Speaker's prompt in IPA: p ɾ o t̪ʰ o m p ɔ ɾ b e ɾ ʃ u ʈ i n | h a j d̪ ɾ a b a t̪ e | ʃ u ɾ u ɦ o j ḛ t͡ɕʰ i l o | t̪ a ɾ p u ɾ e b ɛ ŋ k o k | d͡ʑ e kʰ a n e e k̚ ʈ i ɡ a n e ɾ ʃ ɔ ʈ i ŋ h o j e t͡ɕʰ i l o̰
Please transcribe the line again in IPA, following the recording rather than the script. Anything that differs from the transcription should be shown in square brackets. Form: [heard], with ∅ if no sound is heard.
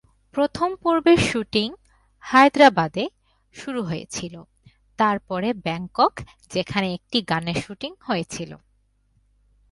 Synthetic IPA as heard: p ɾ o t̪ʰ o m p [o] ɾ b e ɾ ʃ u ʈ i [ŋ] | h a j d̪ ɾ a b a [d̪] e | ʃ u ɾ u ɦ o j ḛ t͡ɕʰ i l o | t̪ a ɾ p [ɔ] ɾ e b ɛ ŋ k o k | d͡ʑ e kʰ a n e e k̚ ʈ i ɡ a n e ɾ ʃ [u] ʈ i ŋ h o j e t͡ɕʰ i l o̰

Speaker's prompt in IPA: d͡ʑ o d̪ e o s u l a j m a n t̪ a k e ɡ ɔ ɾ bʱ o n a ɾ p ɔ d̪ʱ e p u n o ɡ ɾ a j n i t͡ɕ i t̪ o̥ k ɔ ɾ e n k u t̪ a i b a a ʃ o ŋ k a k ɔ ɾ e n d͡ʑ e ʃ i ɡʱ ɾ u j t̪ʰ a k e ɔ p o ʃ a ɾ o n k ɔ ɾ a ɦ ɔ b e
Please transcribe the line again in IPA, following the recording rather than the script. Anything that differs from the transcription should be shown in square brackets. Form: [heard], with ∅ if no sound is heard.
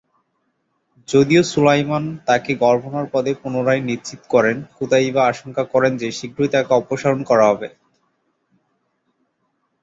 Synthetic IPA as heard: d͡ʑ o d̪ [i] o s u l a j m a n t̪ a k e ɡ ɔ ɾ bʱ o n a ɾ p ɔ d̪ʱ e p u n o [∅] ɾ a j n i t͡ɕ i t̪ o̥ k ɔ ɾ e n k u t̪ a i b a a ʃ o ŋ k a k ɔ ɾ e n d͡ʑ e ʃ i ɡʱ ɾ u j [t̪] a k e ɔ p o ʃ a ɾ o n k ɔ ɾ a ɦ ɔ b e

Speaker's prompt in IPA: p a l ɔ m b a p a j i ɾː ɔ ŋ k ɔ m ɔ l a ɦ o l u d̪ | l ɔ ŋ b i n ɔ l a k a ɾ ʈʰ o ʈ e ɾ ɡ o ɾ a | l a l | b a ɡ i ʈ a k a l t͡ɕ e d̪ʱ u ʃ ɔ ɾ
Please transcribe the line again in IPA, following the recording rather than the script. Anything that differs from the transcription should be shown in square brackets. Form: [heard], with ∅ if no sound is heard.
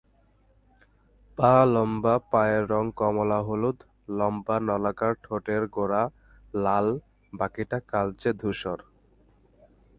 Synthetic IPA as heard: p a l ɔ m b a p a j [e] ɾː ɔ ŋ k ɔ m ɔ l a ɦ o l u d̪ | l ɔ [m] b [a] n ɔ l a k a ɾ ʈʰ o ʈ e ɾ ɡ o ɾ a | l a l | b a [k] i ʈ a k a l t͡ɕ e d̪ʱ u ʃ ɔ ɾ

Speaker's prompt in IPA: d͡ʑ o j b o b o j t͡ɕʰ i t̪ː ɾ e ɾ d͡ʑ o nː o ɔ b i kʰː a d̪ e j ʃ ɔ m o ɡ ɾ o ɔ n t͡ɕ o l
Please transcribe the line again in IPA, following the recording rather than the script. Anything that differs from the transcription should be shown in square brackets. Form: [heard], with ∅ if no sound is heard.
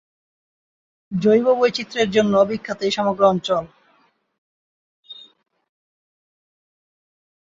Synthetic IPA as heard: d͡ʑ o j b o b o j [t͡ɕ] i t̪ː ɾ e ɾ d͡ʑ o nː o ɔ b i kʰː a [t̪] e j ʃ ɔ m o ɡ ɾ o ɔ n t͡ɕ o l

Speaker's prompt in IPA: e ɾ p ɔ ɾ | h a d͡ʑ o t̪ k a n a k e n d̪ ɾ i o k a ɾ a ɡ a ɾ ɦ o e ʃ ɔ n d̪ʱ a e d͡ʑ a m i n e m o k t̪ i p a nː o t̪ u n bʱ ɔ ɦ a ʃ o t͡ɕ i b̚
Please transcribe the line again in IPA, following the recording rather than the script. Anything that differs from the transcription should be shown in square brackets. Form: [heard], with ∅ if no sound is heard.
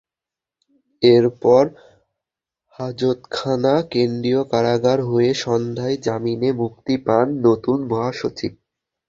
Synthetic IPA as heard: e ɾ p ɔ ɾ | h a d͡ʑ o t̪ [kʰ] a n a k e n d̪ ɾ i o k a ɾ a ɡ a ɾ ɦ o e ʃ ɔ n d̪ʱ a e d͡ʑ a m i n e m [u] k t̪ i p a nː o t̪ u n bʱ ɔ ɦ a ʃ o t͡ɕ i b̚

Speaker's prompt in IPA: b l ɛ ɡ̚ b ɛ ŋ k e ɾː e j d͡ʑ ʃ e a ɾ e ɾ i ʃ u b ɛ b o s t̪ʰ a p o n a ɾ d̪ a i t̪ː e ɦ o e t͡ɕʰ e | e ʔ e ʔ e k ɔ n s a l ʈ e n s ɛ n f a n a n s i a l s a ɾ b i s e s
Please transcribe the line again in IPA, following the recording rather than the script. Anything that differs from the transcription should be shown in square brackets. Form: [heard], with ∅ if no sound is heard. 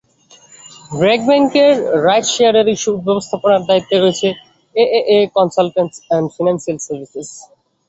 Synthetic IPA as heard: b [ɾ] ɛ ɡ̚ b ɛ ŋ k e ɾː [a] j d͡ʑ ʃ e a ɾ e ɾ i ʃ u b ɛ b o s t̪ʰ a p o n a ɾ d̪ a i t̪ː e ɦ o e t͡ɕʰ e | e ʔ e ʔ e k ɔ n s a l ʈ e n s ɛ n f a n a n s i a l s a ɾ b i s e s

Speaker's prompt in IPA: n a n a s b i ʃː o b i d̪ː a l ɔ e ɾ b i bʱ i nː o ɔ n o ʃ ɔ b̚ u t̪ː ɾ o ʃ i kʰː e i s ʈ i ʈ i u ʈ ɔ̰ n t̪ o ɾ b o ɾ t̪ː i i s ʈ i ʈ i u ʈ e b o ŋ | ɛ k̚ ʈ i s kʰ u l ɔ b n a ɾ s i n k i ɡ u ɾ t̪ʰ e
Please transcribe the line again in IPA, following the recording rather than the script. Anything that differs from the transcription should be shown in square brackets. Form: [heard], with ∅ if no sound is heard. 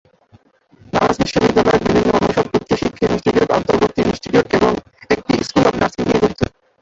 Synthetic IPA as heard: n a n a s b i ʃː o b i d̪ː a l ɔ e ɾ b i bʱ i nː o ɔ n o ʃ ɔ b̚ u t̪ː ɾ o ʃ i kʰː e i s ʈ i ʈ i u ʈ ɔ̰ n t̪ o ɾ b o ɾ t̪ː i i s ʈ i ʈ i u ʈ e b o ŋ | [e] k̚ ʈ i s [k] u l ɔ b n a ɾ s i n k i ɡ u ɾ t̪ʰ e

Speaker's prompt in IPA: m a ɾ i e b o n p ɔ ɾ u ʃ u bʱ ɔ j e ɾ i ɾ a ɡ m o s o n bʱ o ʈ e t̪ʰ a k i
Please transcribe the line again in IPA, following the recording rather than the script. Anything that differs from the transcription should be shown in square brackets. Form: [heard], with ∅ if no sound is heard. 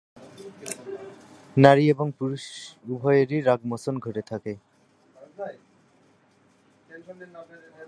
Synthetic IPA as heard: [n] a ɾ i e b o [ŋ] p [u] ɾ u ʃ u bʱ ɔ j e ɾ i ɾ a ɡ m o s o n [ɡʱ] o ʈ e t̪ʰ a k [e]

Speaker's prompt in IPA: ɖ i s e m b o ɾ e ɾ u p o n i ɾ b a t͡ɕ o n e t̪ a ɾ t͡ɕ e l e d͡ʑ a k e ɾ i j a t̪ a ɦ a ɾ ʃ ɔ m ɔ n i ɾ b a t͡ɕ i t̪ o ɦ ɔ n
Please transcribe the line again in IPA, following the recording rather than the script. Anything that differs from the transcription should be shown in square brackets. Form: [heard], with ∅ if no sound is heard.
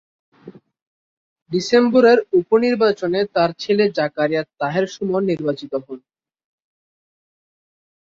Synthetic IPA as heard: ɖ i s e m b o ɾ e ɾ u p o n i ɾ b a t͡ɕ o n e t̪ a ɾ [t͡ɕʰ] e l e d͡ʑ a k [a] ɾ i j a t̪ a ɦ [e] ɾ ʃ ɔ m ɔ n i ɾ b a t͡ɕ i t̪ o ɦ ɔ n

